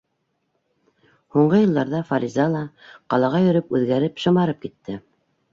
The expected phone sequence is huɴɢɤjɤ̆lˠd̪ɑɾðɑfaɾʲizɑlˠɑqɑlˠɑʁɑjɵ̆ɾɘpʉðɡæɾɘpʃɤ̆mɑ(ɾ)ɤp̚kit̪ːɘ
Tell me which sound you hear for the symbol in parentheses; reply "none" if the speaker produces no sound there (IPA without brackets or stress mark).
ɾ